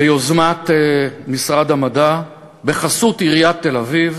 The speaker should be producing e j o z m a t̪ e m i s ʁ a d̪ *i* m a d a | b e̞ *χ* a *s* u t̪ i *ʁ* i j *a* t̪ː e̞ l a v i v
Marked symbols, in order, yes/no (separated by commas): no, yes, yes, yes, yes